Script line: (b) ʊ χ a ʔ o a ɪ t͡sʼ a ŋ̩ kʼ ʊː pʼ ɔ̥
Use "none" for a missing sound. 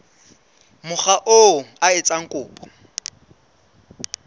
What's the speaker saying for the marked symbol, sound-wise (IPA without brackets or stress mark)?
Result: m